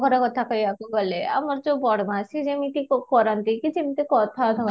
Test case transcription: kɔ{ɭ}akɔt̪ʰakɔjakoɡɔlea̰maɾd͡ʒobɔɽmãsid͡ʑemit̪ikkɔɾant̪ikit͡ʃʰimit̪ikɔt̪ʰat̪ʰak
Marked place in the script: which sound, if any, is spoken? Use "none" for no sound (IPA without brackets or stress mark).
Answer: ɾ